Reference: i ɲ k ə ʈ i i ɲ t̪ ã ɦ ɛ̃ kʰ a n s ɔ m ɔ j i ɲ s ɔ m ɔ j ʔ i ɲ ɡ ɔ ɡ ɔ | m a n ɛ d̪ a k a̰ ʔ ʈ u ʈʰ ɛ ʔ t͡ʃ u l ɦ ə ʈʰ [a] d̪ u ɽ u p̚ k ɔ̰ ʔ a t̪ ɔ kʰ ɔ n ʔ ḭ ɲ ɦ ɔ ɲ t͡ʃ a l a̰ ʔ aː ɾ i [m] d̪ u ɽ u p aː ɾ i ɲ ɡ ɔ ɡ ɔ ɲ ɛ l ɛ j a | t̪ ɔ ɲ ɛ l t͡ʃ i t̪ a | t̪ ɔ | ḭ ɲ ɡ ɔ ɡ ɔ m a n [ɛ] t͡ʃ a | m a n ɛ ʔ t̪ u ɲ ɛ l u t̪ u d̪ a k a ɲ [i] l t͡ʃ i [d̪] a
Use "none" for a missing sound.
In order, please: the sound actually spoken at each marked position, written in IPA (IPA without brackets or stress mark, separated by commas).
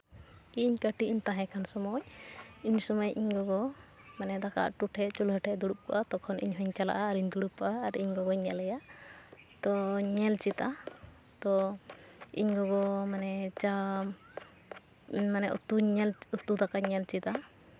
ɛ, ɲ, ɛ, ɛ, t̪